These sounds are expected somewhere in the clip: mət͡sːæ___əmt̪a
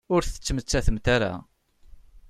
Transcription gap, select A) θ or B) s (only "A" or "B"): A